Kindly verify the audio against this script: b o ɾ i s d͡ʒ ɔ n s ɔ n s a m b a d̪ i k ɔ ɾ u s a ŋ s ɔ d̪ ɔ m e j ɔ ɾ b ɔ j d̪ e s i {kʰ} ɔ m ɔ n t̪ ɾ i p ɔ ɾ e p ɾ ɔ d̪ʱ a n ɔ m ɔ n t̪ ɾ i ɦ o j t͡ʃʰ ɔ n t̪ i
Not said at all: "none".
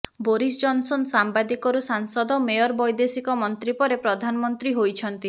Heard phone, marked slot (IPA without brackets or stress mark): k